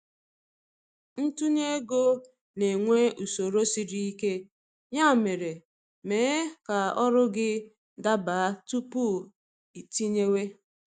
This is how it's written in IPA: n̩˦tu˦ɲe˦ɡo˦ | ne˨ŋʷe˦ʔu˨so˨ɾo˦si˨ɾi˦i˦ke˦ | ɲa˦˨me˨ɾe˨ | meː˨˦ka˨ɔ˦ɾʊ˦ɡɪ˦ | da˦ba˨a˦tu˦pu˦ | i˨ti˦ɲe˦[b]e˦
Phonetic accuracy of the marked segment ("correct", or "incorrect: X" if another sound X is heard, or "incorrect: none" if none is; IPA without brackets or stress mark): incorrect: w